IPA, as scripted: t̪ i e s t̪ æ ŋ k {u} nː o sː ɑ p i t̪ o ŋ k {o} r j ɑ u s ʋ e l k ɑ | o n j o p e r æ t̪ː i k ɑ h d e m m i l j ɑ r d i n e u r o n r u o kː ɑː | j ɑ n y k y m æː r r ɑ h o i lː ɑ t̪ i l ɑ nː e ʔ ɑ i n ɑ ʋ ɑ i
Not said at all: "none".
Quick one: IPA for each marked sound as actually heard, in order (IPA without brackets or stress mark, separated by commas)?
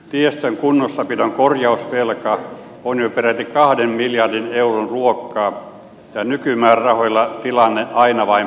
u, o